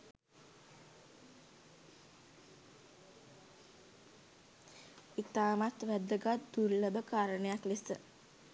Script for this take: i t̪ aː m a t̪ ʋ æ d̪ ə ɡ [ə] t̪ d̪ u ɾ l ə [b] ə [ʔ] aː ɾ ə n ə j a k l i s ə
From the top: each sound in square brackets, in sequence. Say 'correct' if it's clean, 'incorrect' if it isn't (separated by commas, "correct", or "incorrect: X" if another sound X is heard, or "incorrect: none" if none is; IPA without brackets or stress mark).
incorrect: a, correct, incorrect: k